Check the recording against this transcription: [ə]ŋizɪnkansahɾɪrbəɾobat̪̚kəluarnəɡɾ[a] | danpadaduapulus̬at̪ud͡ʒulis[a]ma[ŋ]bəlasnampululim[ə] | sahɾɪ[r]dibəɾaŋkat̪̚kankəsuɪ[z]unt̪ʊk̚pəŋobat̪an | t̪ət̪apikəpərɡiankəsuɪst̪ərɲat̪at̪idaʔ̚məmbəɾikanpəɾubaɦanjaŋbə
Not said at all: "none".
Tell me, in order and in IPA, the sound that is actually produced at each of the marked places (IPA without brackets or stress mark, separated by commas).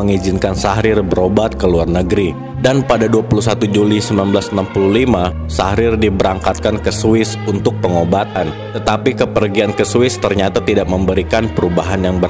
ə, i, ə, n, a, r, s